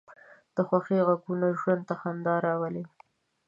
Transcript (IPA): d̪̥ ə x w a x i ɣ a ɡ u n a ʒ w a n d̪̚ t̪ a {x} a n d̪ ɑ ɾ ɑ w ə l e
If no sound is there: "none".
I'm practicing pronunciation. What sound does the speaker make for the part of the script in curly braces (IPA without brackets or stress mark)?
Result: x